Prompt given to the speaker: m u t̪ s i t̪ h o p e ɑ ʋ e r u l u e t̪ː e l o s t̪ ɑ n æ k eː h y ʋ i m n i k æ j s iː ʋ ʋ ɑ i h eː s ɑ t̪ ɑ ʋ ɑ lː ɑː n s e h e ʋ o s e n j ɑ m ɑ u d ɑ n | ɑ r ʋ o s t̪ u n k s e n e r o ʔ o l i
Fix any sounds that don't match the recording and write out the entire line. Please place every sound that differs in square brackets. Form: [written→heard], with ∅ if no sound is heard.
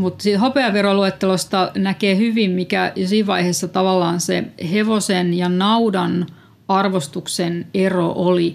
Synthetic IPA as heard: m u t̪ s i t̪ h o p e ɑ ʋ e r [u→o] l u e t̪ː e l o s t̪ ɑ n æ k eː h y ʋ i m [n→m] i k æ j s iː ʋ ʋ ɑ i h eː [s→sː] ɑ t̪ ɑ ʋ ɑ lː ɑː n s e h e ʋ o s e n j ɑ [m→n] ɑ u d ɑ n | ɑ r ʋ o s t̪ u [n→∅] k s e n e r o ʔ o l i